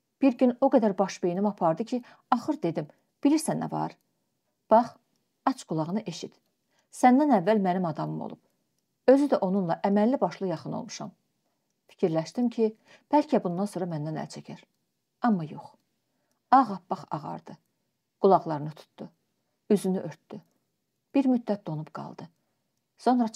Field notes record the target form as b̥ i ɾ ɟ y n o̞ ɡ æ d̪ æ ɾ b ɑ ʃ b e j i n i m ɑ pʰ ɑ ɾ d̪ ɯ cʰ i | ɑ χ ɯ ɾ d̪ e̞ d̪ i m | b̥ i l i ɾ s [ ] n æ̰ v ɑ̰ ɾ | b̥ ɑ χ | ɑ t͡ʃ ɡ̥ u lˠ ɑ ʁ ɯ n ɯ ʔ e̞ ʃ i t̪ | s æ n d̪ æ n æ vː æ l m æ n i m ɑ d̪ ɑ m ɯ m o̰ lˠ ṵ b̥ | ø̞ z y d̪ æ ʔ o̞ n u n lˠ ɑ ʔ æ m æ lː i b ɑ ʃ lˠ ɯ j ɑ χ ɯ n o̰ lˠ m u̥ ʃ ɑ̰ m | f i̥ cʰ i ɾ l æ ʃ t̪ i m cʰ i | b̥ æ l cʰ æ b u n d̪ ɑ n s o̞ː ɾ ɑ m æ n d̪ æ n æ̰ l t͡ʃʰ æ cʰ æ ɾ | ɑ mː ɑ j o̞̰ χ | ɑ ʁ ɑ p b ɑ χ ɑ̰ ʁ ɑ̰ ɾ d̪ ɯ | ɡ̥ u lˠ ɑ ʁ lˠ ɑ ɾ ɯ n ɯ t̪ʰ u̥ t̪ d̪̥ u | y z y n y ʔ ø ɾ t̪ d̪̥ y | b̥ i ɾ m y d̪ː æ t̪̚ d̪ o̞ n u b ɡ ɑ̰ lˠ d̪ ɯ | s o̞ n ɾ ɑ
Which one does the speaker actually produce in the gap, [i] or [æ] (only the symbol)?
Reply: æ